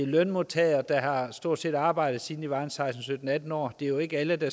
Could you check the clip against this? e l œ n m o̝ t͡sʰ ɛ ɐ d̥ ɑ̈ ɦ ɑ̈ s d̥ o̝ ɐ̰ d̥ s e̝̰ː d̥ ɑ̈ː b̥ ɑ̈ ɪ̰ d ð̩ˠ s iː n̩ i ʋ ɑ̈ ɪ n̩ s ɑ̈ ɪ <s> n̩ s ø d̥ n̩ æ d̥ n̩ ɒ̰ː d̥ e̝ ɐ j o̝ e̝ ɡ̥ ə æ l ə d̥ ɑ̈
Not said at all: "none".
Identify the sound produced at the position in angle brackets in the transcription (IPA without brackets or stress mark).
s